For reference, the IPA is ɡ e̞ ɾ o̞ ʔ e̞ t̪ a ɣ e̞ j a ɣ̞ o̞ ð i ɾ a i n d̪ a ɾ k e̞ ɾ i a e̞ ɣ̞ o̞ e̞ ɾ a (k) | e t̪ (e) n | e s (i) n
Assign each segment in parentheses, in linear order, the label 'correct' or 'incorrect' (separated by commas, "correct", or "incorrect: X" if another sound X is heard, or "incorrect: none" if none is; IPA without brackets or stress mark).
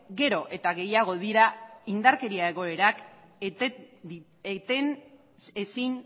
correct, correct, correct